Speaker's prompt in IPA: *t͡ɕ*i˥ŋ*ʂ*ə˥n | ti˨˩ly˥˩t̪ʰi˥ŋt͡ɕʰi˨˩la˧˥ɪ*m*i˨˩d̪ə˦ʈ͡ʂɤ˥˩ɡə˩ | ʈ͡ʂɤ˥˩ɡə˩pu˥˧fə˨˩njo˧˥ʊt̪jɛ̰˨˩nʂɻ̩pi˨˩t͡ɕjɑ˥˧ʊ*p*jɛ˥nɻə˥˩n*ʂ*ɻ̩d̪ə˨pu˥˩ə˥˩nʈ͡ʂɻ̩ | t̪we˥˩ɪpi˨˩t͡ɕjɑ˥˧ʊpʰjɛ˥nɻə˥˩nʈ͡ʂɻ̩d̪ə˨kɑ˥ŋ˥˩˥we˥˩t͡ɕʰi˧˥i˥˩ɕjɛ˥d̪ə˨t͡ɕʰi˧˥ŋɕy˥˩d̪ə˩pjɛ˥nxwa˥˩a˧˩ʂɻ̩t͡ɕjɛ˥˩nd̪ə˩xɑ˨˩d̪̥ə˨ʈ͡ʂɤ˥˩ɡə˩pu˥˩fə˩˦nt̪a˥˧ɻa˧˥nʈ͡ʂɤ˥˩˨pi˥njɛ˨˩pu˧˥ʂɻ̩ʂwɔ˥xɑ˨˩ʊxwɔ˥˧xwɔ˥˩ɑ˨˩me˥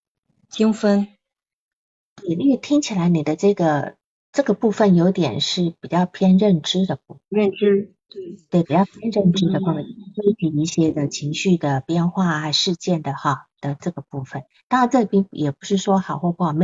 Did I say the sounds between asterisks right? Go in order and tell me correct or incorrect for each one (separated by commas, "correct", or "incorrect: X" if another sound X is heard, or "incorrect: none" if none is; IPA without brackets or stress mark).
correct, incorrect: f, incorrect: n, incorrect: pʰ, incorrect: ʈ͡ʂ